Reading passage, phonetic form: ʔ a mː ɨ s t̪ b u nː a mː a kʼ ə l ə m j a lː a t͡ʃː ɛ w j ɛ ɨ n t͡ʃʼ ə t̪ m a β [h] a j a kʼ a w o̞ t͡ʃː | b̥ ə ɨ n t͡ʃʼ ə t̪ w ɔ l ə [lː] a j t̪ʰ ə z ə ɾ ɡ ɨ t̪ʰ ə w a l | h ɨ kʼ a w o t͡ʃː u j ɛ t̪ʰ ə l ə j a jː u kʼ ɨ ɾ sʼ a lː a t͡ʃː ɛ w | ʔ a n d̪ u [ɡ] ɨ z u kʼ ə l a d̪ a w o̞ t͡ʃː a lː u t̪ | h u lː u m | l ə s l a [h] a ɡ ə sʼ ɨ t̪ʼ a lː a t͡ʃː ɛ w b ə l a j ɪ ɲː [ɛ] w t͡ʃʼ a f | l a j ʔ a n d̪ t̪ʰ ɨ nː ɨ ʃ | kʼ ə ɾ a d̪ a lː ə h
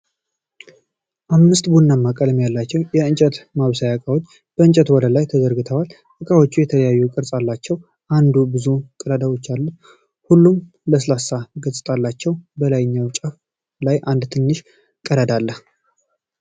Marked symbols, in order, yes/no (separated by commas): no, no, no, no, no